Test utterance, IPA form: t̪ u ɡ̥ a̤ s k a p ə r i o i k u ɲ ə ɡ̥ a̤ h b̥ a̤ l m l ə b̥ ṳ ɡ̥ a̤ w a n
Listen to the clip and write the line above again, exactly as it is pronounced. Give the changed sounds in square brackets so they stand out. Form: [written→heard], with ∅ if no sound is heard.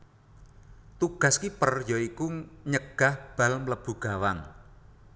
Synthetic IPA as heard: t̪ u ɡ̥ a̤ s k [a→i] p ə r [i→j] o i k u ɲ ə ɡ̥ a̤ h b̥ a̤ l m l ə b̥ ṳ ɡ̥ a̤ w a n